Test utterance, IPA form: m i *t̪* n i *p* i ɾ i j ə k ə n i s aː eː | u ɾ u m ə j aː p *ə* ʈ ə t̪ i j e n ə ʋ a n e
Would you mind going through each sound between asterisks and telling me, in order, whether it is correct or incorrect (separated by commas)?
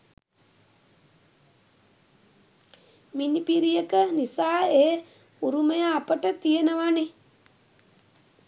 incorrect, correct, correct